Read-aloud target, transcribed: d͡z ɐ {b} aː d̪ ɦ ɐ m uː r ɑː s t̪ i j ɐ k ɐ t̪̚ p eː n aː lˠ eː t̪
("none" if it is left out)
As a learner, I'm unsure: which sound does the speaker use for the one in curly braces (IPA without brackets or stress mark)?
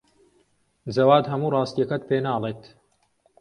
w